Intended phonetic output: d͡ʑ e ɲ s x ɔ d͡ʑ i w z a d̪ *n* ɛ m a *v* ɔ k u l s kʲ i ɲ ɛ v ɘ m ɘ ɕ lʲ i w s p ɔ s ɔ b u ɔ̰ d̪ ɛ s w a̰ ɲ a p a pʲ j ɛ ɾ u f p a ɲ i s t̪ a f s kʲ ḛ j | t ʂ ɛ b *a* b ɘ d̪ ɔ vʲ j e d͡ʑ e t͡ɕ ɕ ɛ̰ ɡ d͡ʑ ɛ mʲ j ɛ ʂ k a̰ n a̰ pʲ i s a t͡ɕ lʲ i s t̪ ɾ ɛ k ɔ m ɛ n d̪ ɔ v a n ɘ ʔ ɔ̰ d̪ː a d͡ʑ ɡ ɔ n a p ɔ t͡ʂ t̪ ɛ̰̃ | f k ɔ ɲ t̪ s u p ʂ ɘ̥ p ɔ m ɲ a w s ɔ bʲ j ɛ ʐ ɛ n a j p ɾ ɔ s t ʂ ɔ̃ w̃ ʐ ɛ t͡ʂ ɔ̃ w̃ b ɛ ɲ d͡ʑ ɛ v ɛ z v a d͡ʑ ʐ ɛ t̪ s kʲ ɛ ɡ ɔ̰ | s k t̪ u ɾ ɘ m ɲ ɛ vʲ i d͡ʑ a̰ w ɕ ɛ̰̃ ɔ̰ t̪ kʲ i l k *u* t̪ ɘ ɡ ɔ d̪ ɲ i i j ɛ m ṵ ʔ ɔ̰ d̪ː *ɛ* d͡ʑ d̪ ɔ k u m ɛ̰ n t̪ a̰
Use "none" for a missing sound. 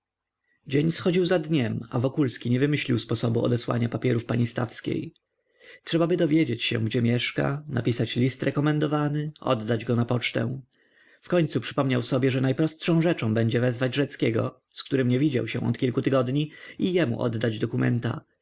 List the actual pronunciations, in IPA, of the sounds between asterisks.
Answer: ɲ, v, a, u, a

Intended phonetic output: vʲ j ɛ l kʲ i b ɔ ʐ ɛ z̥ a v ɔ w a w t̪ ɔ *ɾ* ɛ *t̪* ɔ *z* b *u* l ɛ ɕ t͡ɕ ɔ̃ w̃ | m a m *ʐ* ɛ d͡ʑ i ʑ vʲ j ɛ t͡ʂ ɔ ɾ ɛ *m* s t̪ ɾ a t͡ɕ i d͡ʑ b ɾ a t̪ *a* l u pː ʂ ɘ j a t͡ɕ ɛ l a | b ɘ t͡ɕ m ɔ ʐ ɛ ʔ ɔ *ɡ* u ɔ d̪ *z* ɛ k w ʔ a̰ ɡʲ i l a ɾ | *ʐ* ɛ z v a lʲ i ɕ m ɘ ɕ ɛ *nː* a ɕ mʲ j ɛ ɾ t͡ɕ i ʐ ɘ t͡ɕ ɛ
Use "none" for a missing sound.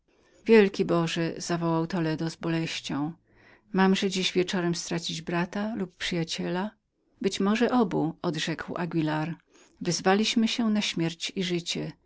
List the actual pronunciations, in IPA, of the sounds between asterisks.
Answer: l, d̪, z, ɔ, ʐ, m, a, b, ʐ, v, n

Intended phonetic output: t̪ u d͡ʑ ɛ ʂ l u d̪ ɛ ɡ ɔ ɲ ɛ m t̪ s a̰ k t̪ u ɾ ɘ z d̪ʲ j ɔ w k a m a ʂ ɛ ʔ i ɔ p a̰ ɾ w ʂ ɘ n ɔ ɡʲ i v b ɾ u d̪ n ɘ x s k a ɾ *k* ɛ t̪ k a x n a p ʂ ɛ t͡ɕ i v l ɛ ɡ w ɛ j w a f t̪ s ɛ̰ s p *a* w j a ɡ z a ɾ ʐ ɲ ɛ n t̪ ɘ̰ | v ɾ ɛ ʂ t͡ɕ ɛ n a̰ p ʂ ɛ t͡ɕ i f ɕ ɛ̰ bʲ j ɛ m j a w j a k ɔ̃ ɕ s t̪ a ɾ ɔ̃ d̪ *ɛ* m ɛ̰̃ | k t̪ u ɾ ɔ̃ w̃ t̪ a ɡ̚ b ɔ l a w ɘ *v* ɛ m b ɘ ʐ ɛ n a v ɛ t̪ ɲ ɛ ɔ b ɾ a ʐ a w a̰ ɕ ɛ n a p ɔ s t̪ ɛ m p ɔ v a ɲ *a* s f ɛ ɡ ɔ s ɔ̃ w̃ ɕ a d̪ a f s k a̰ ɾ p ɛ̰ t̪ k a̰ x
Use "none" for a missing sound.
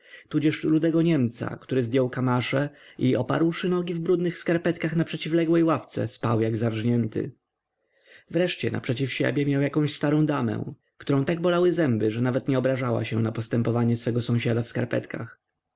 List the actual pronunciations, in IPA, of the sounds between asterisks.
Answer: p, a, a, z, ɛ

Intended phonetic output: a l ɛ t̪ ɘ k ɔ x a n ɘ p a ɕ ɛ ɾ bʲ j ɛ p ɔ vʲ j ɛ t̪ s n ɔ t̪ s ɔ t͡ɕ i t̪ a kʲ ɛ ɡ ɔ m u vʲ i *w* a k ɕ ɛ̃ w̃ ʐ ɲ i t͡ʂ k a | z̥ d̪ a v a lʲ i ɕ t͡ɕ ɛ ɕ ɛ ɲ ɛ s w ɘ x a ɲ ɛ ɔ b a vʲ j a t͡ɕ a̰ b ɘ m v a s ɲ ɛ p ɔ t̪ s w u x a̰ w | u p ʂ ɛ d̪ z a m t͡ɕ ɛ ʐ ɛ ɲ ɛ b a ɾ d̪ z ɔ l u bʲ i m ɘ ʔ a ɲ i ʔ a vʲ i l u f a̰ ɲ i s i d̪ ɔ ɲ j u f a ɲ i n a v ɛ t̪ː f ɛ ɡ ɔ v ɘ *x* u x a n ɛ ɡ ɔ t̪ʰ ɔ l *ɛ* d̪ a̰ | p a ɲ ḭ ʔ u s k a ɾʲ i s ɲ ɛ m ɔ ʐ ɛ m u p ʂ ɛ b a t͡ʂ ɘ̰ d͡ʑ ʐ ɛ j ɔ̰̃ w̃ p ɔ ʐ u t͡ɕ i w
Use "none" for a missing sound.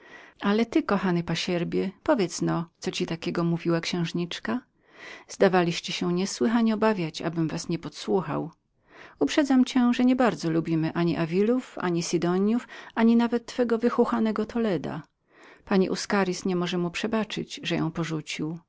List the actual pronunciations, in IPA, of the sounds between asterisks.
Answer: w, x, ɛ

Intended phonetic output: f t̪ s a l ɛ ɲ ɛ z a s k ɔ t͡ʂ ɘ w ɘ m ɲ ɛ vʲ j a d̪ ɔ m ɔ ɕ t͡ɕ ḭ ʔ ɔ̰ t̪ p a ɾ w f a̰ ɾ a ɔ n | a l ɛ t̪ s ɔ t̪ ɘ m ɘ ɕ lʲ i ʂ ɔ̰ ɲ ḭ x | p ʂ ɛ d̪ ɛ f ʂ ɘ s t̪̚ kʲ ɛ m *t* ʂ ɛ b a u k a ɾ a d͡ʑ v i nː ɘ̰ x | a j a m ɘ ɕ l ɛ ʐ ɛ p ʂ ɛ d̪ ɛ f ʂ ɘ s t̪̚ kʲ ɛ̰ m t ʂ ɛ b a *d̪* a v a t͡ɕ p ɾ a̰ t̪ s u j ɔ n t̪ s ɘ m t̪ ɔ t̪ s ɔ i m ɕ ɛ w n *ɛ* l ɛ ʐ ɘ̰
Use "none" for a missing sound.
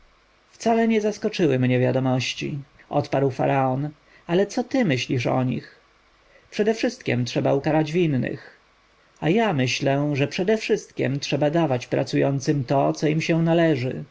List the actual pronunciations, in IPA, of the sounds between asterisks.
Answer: t, d̪, a

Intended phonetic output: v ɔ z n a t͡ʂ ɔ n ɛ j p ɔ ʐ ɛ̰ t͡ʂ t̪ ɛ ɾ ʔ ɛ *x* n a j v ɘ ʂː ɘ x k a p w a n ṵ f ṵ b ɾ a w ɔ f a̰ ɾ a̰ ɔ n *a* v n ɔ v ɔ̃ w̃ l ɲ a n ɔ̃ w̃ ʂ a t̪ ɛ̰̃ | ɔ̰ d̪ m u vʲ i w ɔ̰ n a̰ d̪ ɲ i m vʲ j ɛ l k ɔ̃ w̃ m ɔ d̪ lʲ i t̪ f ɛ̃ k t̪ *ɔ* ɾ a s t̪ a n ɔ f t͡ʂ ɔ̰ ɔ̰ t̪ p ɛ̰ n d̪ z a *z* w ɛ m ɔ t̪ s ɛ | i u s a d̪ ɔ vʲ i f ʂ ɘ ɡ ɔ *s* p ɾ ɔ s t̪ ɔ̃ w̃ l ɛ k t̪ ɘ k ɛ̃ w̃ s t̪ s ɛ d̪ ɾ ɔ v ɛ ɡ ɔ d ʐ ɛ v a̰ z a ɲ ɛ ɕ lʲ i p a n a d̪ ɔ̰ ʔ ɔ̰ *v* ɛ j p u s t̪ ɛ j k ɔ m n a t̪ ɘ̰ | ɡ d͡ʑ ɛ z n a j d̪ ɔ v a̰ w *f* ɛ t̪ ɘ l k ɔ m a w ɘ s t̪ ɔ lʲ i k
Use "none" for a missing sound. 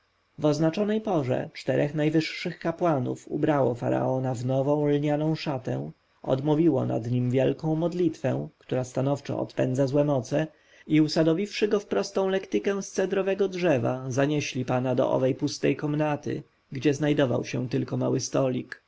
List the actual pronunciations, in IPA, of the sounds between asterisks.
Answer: x, a, u, z, f, v, ɕ

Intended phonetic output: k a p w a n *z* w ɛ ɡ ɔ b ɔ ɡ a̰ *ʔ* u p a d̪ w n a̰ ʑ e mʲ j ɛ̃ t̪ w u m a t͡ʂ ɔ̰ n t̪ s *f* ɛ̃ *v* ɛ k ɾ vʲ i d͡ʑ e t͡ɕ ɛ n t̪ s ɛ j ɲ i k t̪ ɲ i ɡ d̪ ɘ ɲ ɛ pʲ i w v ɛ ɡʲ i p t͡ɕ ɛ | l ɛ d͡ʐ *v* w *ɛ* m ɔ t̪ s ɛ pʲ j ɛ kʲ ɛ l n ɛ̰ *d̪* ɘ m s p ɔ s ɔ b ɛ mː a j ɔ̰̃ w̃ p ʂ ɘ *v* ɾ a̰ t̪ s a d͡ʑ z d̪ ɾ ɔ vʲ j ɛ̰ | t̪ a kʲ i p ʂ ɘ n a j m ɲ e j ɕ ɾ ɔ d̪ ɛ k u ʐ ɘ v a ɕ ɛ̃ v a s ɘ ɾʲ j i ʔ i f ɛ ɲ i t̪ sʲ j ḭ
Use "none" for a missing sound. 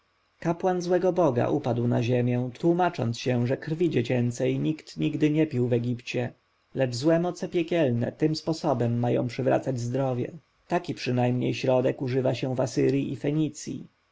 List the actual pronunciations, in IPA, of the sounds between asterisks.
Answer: z, ʔ, ɕ, ʐ, z, ɛ, t̪, v

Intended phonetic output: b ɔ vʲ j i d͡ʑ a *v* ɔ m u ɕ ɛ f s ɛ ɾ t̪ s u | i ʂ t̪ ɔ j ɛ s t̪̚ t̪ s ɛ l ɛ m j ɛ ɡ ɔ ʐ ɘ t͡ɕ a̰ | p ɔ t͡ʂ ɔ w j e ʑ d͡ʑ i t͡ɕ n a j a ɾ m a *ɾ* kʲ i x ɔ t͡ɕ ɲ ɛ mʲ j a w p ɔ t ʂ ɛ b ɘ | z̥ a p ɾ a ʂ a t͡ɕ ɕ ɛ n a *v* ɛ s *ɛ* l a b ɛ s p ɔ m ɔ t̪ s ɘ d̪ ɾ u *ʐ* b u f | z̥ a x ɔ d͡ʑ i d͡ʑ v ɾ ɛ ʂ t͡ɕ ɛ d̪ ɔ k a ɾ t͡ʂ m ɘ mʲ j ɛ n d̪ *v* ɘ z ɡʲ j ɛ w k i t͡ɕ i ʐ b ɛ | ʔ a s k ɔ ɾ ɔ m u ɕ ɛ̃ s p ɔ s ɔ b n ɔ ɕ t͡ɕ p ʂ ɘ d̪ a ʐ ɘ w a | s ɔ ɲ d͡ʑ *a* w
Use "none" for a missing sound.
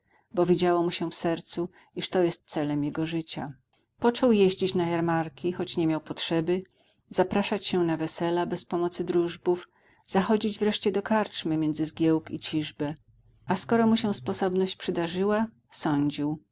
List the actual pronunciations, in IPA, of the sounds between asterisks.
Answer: w, ɾ, v, ɛ, ʐ, z, i

